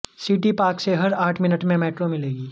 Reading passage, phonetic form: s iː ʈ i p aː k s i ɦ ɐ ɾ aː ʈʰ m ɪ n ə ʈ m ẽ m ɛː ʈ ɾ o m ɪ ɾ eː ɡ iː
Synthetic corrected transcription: s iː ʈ i p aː k s e ɦ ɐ ɾ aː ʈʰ m ɪ n ə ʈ m ẽ m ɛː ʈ ɾ o m ɪ l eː ɡ iː